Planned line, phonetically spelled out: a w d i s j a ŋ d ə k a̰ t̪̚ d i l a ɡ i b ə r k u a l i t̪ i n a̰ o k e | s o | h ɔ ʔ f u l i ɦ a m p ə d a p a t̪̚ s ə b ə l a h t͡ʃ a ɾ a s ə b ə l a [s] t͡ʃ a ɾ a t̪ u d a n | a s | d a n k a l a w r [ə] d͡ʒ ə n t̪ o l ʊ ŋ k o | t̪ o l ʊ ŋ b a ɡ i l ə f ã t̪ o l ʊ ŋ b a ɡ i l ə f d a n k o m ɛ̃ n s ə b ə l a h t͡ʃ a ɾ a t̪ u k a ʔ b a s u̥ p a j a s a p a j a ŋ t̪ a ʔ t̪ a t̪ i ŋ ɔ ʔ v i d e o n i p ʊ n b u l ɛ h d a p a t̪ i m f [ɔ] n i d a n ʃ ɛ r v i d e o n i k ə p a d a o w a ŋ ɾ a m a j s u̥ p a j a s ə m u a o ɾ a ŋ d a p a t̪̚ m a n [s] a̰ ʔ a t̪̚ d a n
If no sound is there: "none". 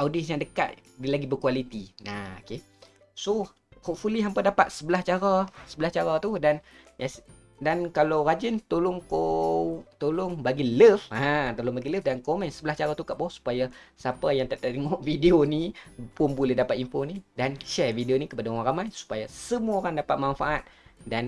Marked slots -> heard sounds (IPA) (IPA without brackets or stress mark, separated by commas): h, a, o, f